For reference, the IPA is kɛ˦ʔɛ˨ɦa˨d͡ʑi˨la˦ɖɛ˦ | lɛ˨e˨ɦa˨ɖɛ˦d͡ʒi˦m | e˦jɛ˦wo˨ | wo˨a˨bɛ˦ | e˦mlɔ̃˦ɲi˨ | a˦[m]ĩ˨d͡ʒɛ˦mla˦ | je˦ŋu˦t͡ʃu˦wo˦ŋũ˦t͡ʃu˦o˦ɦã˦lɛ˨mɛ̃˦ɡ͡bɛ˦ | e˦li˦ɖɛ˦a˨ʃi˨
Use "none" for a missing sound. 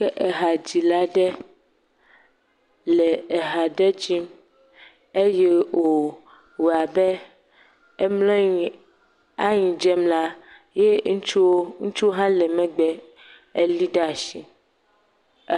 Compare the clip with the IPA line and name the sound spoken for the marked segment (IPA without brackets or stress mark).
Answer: ɲ